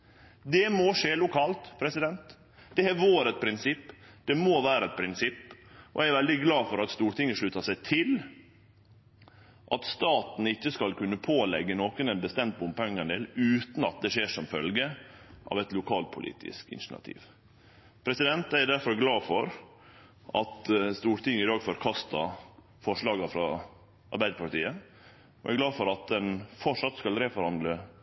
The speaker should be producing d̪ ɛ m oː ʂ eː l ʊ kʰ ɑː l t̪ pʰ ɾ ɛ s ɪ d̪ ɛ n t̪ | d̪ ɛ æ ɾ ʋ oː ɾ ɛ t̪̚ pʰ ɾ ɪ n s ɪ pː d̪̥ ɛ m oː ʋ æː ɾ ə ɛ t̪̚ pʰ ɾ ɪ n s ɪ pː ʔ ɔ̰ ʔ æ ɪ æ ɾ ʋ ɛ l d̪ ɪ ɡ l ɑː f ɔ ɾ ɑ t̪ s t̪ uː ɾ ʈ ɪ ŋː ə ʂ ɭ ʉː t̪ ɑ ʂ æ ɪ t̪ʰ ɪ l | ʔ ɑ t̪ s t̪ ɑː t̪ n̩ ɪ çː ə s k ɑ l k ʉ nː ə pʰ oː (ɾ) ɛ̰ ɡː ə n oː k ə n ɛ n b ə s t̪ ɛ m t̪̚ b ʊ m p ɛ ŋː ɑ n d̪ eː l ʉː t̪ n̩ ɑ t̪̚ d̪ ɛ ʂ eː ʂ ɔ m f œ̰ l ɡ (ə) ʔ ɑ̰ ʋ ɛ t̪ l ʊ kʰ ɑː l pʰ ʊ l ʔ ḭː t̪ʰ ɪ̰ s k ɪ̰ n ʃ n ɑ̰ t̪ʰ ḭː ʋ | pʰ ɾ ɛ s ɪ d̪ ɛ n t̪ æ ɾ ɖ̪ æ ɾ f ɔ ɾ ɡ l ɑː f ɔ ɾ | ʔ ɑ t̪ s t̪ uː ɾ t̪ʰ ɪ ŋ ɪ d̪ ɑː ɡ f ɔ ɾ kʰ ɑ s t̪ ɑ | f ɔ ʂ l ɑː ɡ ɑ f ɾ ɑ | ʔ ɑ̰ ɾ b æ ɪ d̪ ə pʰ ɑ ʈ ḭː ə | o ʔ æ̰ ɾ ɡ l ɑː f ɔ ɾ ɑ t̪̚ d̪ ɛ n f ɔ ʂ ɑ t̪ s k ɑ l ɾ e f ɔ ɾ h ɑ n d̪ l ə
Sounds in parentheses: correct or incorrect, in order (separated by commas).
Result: incorrect, correct